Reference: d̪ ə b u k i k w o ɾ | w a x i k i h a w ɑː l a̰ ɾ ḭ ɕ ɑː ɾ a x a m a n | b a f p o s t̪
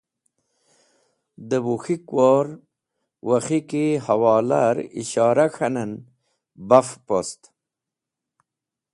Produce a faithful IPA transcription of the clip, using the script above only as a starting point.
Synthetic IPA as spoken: d̪ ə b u x i k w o ɾ | w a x i k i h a w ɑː l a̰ ɾ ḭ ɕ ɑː ɾ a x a n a n | b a f p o s t̪